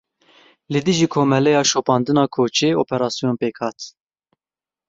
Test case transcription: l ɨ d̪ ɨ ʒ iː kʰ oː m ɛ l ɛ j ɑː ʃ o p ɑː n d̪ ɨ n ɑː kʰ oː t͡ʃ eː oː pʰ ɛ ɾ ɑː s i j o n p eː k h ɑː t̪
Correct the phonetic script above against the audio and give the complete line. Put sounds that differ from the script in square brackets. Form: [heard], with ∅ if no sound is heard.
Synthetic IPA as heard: l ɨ d̪ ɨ ʒ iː kʰ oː m ɛ l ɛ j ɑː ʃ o p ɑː n d̪ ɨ n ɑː kʰ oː t͡ʃ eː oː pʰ ɛ ɾ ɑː s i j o n p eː k h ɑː t̪